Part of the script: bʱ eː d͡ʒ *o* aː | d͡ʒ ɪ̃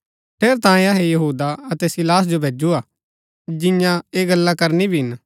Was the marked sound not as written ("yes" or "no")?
yes